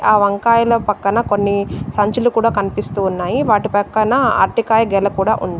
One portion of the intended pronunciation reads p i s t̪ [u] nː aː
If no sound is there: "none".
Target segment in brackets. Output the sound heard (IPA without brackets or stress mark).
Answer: uː